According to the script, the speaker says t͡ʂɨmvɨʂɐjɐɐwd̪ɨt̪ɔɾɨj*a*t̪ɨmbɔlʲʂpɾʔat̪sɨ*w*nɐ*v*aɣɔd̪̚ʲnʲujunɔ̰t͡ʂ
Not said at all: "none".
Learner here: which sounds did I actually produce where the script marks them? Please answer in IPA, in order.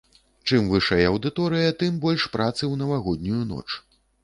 ɐ, w, v

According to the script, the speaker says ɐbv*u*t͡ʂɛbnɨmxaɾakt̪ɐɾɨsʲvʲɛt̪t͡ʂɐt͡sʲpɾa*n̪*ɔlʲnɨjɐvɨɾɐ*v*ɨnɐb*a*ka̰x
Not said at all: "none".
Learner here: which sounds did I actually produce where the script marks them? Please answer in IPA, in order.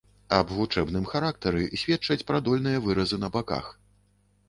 u, d̪, z, a

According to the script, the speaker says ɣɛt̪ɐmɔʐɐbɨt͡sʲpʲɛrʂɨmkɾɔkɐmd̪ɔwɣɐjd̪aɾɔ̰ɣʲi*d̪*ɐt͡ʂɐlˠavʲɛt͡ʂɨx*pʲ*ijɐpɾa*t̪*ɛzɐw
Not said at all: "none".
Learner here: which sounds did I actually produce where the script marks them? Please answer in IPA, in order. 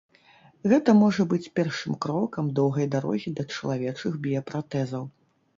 d̪, bʲ, t̪

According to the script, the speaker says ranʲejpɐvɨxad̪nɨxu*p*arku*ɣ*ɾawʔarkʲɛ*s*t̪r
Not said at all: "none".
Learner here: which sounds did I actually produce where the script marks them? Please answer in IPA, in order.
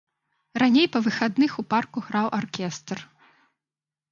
p, ɣ, s

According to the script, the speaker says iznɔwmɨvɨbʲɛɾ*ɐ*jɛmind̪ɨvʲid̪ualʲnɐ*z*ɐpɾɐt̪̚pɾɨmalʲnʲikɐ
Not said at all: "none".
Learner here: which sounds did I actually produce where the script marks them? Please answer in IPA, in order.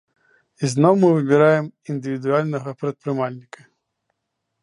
a, ɣ

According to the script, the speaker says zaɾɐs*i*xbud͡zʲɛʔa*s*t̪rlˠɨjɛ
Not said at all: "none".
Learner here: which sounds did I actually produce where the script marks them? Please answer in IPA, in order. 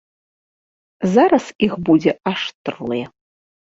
i, ʂ

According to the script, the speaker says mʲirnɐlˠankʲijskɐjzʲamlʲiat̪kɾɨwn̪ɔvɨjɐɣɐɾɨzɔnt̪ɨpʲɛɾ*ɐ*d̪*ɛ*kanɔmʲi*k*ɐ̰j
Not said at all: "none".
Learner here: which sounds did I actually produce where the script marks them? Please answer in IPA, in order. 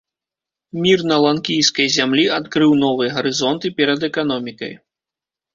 ɐ, ɛ, k

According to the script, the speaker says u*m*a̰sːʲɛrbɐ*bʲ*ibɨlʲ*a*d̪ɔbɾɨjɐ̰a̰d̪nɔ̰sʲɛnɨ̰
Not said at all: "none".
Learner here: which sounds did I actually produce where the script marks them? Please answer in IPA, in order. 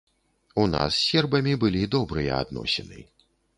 n, mʲ, i

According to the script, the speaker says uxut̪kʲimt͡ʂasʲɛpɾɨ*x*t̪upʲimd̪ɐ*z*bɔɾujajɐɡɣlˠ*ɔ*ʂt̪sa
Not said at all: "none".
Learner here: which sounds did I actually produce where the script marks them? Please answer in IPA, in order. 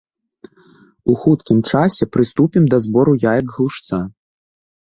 s, z, u

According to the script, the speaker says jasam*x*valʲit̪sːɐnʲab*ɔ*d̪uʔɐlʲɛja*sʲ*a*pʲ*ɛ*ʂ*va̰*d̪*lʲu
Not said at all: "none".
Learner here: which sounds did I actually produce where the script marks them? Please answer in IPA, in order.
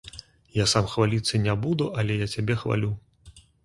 x, u, t͡sʲ, bʲ, x, none

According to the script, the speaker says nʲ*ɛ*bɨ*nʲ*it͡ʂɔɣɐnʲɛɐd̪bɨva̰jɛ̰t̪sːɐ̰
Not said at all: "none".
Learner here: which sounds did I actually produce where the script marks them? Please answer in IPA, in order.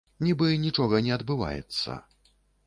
i, nʲ

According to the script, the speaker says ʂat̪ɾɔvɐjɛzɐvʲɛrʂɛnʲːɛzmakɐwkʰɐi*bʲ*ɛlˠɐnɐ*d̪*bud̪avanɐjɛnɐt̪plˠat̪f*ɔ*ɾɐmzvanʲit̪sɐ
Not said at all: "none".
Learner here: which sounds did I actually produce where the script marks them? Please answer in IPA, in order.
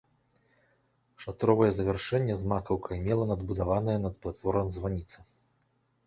mʲ, d̪, ɔ

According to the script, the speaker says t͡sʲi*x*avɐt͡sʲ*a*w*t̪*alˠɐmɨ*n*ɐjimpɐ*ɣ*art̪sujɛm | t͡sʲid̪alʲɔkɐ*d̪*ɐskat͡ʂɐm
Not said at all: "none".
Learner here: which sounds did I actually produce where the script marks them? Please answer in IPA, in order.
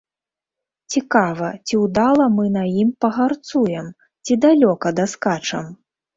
k, i, d̪, n, ɣ, d̪

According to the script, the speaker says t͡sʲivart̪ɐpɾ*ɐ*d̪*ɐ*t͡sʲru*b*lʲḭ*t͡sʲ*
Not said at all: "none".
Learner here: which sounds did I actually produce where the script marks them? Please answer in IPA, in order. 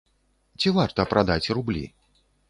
a, a, b, none

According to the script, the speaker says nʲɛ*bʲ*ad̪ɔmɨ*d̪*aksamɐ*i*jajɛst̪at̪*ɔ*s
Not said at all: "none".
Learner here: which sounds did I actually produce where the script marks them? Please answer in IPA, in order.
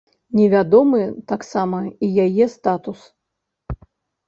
vʲ, t̪, i, u

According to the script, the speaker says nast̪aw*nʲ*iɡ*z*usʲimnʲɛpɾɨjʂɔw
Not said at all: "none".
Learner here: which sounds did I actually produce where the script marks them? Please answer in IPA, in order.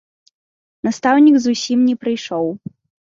nʲ, z

